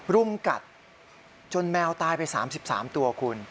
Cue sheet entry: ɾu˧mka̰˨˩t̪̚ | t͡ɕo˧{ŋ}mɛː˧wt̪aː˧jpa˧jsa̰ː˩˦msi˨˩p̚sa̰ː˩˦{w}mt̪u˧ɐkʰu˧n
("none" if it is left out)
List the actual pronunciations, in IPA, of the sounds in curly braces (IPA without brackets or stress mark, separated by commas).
n, none